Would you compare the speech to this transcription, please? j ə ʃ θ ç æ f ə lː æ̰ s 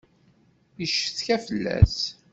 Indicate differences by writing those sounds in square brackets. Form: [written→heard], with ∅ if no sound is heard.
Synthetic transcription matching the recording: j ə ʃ θ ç æ f ə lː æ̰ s